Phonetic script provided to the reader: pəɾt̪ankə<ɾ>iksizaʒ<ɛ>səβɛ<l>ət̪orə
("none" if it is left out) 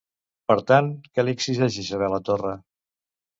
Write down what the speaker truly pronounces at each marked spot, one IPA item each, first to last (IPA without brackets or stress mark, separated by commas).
l, i, l